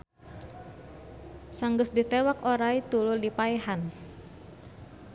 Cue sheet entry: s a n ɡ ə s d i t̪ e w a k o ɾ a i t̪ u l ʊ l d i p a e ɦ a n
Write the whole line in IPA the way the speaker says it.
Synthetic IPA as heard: s a ŋ ɡ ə s d i t̪ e w a k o ɾ a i t̪ u l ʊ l d i p a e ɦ a n